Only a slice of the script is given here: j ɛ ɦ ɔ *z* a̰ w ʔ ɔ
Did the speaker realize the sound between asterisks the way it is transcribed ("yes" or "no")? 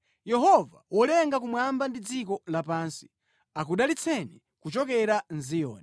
no